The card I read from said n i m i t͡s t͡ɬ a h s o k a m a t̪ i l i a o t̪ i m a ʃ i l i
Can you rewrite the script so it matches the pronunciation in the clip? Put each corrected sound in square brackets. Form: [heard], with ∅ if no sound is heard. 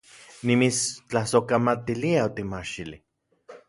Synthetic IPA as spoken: n i m i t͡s t͡ɬ a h s o k a m a t̪ i l i a o t̪ i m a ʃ i l i